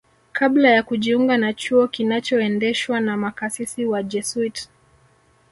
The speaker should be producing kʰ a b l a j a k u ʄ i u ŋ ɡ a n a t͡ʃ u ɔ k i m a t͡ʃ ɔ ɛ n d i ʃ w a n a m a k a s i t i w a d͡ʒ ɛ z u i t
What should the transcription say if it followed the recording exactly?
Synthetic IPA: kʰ a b l a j a k u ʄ i u ŋ ɡ a n a t͡ʃ u ɔ k i n a t͡ʃ ɔ ɛ n d ɛ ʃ w a n a m a k a s i s i w a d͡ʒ ɛ s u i t

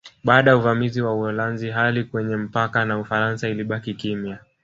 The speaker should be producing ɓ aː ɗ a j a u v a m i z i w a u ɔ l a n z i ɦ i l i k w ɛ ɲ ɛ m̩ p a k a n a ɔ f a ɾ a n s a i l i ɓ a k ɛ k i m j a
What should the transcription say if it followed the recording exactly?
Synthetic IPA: ɓ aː ɗ a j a u v a m i z i w a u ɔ l a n z i ɦ a l i k w ɛ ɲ ɛ m̩ p a k a n a u f a ɾ a n s a i l i ɓ a k i k i m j a

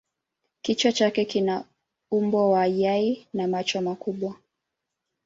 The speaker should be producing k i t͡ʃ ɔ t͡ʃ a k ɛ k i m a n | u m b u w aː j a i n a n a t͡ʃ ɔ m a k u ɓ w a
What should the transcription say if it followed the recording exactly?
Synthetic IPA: k i t͡ʃ ɔ t͡ʃ a k ɛ k i n a | u m b ɔ w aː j a i n a m a t͡ʃ ɔ m a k u ɓ w a

